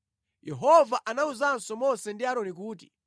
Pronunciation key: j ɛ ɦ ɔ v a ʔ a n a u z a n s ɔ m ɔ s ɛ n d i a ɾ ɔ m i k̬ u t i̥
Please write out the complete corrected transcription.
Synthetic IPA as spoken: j ɛ ɦ ɔ v a ʔ a n a u z a n s ɔ m ɔ s ɛ n d i a ɾ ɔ n i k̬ uː t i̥